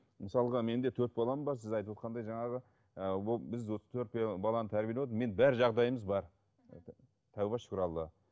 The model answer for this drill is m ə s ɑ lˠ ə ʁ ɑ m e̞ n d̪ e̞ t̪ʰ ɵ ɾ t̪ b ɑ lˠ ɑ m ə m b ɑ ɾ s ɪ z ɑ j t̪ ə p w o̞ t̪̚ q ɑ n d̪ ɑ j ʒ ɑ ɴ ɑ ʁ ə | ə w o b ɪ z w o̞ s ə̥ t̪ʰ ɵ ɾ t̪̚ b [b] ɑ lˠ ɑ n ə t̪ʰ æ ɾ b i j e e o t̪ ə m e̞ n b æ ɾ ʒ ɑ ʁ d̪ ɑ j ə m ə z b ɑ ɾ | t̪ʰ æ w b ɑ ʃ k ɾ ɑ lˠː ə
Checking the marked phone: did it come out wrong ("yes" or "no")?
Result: no